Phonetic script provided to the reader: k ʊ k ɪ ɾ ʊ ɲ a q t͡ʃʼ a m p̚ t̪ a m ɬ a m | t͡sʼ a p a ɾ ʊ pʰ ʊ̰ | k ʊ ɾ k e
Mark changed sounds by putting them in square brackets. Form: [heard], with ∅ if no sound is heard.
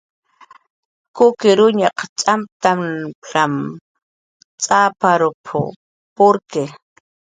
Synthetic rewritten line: k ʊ k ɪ ɾ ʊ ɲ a q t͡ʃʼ a m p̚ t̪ a m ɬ a m | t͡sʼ a p a ɾ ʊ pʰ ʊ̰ | [p] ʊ ɾ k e